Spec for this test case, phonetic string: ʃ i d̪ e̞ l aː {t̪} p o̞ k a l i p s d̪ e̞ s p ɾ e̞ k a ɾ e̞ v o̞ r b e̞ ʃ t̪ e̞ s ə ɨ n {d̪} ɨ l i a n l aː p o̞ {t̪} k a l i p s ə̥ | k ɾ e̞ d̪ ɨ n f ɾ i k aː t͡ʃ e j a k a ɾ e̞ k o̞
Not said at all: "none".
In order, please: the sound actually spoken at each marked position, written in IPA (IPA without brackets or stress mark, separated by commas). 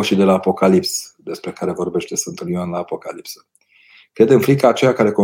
none, t̪, none